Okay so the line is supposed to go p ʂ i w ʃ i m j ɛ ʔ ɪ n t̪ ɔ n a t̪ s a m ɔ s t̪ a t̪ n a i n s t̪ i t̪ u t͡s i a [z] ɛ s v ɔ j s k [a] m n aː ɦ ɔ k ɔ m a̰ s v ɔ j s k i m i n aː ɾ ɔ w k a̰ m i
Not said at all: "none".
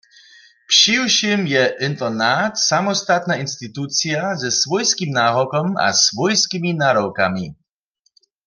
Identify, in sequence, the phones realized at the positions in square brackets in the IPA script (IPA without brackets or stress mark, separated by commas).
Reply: z, i